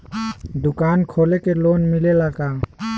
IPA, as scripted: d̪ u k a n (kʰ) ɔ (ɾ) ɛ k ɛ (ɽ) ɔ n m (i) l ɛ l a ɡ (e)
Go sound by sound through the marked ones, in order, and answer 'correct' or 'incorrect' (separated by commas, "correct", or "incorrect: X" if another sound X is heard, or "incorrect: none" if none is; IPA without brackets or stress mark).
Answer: correct, incorrect: l, incorrect: l, correct, incorrect: a